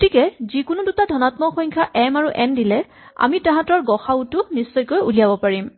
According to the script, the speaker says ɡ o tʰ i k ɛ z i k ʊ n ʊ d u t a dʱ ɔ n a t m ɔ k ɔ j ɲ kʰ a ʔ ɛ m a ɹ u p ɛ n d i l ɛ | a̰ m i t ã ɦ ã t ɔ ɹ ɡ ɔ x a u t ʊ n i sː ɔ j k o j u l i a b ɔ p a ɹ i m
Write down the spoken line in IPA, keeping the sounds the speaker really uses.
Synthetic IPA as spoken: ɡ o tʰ i k ɛ z i k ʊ n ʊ d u t a dʱ ɔ n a t m ɔ x ɔ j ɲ kʰ a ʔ ɛ m a ɹ u ʔ ɛ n d i l ɛ | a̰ m i t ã ɦ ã t ɔ ɹ ɡ ɔ x a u t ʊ n i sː ɔ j k o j u l i a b ɔ p a ɹ i m